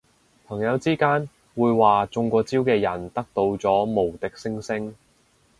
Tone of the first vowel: low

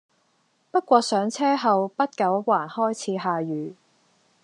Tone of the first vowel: high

